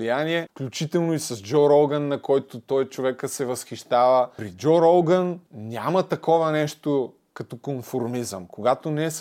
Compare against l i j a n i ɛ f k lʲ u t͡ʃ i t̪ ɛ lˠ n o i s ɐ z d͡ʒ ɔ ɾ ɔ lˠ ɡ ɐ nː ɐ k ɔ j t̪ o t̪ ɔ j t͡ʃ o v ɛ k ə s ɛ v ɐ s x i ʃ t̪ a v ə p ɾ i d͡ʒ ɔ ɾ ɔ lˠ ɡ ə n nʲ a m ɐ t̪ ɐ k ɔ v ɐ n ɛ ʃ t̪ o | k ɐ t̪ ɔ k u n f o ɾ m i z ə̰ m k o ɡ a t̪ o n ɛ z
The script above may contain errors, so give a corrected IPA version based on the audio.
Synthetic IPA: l i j a n i ɛ f k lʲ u t͡ʃ i t̪ ɛ lˠ n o i s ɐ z d͡ʒ ɔ ɾ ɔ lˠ ɡ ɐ nː ɐ k ɔ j t̪ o t̪ ɔ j t͡ʃ o v ɛ k ə s ɛ v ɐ s x i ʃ t̪ a v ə p ɾ i d͡ʒ ɔ ɾ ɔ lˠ ɡ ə n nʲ a m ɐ t̪ ɐ k ɔ v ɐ n ɛ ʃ t̪ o | k ɐ t̪ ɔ k o n f o ɾ m i z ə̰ m k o ɡ a t̪ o n ɛ s